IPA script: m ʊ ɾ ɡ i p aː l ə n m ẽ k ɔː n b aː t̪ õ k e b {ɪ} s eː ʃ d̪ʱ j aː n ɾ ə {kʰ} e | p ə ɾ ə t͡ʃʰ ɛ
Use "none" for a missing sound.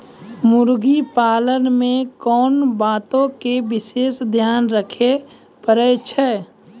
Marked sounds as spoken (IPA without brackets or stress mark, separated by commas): ɪ, kʰ